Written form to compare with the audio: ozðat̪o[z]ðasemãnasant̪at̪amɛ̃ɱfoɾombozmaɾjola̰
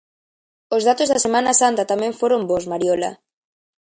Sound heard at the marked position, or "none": z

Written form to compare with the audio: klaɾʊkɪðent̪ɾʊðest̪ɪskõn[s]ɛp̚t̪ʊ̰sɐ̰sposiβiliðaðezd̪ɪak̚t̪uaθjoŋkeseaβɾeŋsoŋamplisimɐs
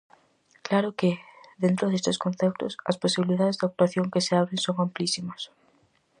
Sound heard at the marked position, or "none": θ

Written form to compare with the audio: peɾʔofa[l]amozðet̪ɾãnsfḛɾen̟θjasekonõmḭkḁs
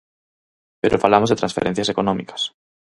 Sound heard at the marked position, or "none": l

